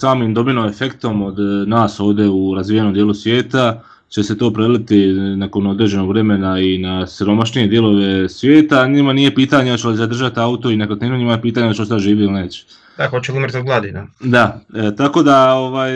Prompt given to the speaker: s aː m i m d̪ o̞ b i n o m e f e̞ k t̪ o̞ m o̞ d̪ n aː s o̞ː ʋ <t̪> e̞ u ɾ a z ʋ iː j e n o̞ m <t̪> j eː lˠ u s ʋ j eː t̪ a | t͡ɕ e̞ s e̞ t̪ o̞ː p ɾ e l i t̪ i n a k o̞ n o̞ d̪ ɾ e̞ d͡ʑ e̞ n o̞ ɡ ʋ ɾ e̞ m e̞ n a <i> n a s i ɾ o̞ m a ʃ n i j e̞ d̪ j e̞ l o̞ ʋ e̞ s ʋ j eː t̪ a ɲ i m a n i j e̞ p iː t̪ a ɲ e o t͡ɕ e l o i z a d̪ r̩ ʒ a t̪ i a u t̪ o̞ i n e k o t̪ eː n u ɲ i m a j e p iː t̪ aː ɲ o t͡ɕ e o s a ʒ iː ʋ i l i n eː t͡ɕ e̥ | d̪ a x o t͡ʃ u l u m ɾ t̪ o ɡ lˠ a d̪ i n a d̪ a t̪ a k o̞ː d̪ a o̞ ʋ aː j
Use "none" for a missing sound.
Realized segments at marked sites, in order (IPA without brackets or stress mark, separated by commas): d̪, d̪, i